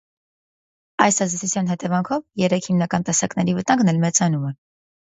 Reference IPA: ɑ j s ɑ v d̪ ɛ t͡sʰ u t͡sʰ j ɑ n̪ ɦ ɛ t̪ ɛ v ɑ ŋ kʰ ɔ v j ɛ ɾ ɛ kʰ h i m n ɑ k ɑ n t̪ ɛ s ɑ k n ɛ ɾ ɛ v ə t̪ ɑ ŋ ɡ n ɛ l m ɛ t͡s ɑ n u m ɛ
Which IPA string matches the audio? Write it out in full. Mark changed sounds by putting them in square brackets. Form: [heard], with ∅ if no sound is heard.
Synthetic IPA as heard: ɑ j s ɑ [z] d̪ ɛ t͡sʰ u t͡sʰ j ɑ n̪ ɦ ɛ t̪ ɛ v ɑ ŋ kʰ ɔ v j ɛ ɾ ɛ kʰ h i m n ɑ k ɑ n t̪ ɛ s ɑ k n ɛ ɾ [i] v ə t̪ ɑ ŋ ɡ n ɛ l m ɛ t͡s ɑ n u m ɛ